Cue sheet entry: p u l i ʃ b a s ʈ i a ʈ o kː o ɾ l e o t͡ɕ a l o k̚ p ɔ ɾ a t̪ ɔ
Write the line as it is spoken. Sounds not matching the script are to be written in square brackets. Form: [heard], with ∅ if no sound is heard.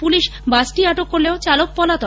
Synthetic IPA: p u l i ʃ b a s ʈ i a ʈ o kː o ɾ l e o t͡ɕ a l o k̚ p ɔ [l] a t̪ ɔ

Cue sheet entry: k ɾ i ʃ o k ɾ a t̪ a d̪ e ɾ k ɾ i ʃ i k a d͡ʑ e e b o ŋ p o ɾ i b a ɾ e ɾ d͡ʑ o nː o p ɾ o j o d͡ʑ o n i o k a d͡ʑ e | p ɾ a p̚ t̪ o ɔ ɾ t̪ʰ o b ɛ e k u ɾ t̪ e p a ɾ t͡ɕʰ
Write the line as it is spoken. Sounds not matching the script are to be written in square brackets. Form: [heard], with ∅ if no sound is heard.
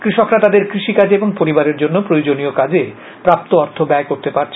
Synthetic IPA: k ɾ i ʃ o k ɾ a t̪ a d̪ e ɾ k ɾ i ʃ i k a d͡ʑ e e b o ŋ p o ɾ i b a ɾ e ɾ d͡ʑ o nː o p ɾ o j o d͡ʑ o n i o k a d͡ʑ e | p ɾ a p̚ t̪ o ɔ ɾ t̪ʰ o b ɛ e k [o] ɾ t̪ e p a ɾ t͡ɕʰ

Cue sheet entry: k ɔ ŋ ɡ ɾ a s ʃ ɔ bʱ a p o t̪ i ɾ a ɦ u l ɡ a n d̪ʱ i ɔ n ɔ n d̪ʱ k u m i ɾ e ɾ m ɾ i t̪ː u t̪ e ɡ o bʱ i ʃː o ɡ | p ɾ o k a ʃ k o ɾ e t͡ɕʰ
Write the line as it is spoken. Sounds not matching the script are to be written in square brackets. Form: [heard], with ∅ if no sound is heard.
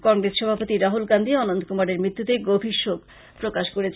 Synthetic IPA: k ɔ ŋ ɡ ɾ [e] s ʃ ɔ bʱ a p o t̪ i ɾ a ɦ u l ɡ a n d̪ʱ i ɔ n [o] n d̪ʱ k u m [a] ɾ e ɾ m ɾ i t̪ː u t̪ e ɡ o bʱ i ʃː o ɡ | p ɾ o k a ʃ k o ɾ e t͡ɕʰ

